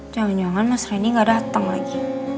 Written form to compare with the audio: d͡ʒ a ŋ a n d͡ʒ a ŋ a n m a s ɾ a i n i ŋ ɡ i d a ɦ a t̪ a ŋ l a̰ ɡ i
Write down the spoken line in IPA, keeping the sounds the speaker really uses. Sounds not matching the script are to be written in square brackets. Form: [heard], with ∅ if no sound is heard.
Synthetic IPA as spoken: d͡ʒ a ŋ a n d͡ʒ a ŋ a n m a s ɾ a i n i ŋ ɡ [a] d a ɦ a t̪ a ŋ l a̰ ɡ i